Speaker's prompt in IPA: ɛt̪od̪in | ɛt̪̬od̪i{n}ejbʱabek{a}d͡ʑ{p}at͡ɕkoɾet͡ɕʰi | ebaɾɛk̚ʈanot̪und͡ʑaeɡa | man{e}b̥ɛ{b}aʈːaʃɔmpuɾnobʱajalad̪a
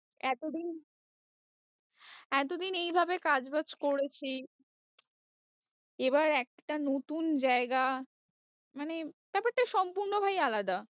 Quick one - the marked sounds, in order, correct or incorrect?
correct, correct, incorrect: b, correct, incorrect: p

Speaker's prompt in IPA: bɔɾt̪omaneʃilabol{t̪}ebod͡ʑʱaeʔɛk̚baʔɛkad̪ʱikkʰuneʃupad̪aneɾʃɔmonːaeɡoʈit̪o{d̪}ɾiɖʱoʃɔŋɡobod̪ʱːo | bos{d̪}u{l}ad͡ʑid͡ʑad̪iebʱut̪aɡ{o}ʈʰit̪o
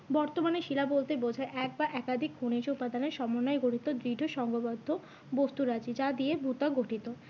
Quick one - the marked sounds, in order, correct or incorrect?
correct, correct, incorrect: t̪, incorrect: ɾ, correct

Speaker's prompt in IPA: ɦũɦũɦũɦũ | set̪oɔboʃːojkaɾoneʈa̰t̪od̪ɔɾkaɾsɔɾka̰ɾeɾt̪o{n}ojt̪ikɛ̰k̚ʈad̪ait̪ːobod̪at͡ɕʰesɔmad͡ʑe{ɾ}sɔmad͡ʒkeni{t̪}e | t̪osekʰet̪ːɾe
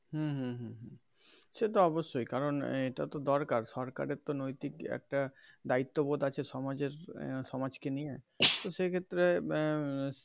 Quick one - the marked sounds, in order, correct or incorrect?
correct, correct, incorrect: none

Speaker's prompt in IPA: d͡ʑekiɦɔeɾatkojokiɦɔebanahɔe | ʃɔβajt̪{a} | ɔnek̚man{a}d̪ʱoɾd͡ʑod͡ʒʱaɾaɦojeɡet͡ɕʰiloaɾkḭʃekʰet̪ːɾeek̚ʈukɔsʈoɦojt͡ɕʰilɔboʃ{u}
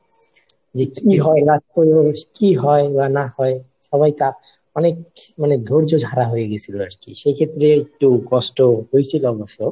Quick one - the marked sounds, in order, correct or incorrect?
correct, incorrect: e, incorrect: o

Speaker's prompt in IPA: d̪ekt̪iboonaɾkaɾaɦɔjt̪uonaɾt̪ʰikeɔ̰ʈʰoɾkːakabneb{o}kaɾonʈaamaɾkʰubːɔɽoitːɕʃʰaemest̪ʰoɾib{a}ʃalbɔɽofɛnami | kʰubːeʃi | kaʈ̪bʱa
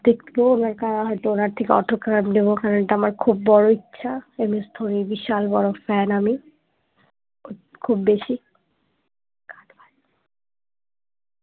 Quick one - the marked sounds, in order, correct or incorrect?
correct, incorrect: i

